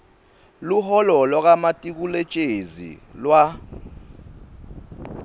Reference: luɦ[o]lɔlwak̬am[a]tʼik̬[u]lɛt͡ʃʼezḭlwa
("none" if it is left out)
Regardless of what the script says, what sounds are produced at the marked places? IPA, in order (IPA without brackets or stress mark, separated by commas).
ɔ, a, u